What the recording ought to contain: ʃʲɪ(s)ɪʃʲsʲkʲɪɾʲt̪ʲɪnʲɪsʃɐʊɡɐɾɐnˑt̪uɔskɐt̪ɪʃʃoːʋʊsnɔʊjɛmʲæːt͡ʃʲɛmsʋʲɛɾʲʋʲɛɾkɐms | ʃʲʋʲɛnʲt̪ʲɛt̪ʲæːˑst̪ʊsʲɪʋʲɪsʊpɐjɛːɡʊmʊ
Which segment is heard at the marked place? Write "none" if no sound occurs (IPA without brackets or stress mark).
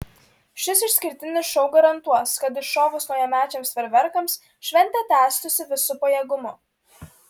s